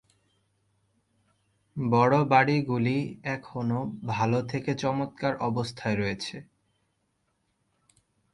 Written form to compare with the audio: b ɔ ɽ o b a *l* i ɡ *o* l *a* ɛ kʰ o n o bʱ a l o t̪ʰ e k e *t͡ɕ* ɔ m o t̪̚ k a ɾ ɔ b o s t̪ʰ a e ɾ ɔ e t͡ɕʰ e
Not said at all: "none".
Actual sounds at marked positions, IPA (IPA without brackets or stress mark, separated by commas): ɽ, u, i, t͡ɕ